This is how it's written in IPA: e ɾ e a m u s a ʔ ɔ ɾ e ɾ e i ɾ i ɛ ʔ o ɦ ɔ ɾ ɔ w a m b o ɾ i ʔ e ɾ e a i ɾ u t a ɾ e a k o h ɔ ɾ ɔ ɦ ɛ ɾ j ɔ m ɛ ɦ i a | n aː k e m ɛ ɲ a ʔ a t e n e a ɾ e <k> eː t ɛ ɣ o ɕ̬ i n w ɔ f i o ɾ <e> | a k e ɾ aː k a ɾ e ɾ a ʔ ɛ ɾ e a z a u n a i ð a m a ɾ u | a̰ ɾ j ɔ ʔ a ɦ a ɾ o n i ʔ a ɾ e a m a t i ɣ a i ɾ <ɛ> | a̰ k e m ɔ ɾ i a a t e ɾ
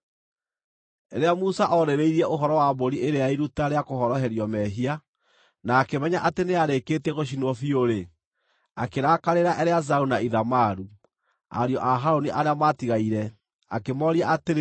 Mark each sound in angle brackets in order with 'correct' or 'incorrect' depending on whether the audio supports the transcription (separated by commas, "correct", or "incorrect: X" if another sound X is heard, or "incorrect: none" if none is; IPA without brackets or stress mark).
correct, correct, correct